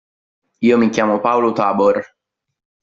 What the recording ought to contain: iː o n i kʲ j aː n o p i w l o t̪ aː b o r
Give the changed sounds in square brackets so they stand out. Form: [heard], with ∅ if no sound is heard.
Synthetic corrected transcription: iː o [m] i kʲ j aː [m] o p [a] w l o t̪ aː b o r